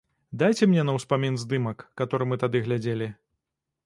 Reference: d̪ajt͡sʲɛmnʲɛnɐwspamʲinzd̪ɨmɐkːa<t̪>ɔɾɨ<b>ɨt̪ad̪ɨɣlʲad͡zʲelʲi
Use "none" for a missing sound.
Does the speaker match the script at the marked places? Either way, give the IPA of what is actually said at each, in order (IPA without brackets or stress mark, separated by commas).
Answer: t̪, m